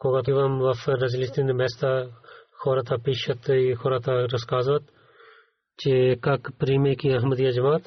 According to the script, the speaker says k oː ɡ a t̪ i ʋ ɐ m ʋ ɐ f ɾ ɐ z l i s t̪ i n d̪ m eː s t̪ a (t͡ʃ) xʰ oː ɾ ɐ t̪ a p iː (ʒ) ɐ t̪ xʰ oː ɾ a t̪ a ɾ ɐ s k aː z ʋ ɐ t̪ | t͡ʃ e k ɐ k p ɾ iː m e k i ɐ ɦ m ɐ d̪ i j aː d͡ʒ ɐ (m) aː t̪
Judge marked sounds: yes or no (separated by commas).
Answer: no, no, yes